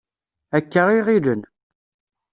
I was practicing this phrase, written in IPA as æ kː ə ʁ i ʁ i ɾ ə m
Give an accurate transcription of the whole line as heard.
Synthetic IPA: æ kː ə ʁ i ʁ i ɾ ə n